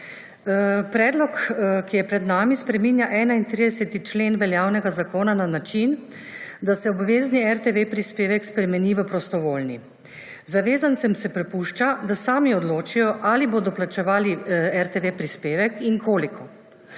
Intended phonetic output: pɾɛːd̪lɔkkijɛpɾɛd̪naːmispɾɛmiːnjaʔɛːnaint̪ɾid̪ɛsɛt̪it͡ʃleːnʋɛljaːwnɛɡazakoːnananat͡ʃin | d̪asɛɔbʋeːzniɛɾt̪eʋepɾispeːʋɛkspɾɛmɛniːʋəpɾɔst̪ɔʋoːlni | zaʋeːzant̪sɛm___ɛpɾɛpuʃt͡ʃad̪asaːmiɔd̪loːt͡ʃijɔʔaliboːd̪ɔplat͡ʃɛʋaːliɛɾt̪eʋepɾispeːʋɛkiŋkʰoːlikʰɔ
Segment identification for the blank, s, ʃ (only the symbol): s